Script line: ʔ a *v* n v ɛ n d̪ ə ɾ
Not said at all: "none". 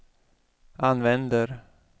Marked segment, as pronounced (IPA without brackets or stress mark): none